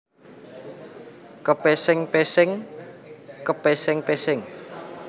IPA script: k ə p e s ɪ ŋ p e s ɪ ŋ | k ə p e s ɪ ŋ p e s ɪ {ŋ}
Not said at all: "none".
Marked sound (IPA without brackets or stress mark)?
ŋ